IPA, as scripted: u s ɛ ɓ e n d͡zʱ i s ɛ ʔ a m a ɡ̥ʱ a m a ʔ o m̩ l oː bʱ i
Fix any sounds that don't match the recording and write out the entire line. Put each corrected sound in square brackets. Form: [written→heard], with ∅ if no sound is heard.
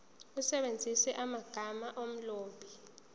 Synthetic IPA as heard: u s ɛ ɓ e n d͡zʱ i s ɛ ʔ a m a ɡ̥ʱ a m a ʔ o m̩ l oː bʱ i